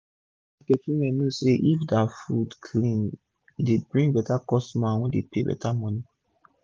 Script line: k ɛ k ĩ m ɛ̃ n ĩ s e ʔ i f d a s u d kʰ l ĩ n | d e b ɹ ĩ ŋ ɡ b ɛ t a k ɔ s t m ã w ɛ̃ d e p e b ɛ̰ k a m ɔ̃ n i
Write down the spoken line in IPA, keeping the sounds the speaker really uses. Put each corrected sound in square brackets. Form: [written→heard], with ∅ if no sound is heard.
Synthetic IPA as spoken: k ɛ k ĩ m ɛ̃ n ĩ s e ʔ i f d a [s→f] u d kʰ l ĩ n | d e b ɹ ĩ ŋ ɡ b ɛ t a k ɔ s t m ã w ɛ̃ d e p e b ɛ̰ [k→t] a m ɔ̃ n i